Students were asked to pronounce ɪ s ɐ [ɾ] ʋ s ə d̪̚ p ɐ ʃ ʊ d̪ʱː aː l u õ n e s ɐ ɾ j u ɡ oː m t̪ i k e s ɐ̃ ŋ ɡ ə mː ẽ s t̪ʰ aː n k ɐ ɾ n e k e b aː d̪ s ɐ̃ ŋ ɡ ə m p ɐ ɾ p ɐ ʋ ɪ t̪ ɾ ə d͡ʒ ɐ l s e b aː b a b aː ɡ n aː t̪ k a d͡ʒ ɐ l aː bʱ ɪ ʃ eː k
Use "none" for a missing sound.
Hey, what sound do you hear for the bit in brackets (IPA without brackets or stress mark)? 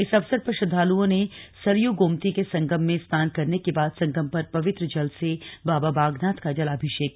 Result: none